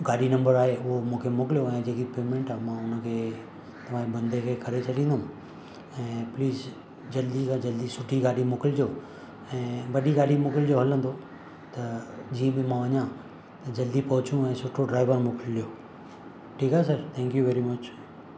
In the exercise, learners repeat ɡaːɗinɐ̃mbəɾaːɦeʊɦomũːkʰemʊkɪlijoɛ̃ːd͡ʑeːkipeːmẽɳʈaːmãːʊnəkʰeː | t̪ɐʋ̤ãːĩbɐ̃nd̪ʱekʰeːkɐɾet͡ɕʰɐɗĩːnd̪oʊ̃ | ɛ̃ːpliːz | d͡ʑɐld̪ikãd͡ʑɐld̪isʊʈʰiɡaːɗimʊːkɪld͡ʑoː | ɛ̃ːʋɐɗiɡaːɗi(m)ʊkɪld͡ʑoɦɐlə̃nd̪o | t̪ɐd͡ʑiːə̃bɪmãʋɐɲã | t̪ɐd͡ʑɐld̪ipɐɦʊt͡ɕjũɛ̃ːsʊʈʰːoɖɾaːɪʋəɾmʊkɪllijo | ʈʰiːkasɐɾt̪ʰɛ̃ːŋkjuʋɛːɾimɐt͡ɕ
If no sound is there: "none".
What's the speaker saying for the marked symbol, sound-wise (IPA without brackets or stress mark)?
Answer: m